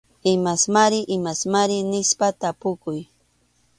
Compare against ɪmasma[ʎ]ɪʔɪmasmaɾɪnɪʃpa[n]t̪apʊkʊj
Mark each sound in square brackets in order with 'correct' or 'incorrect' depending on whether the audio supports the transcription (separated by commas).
incorrect, incorrect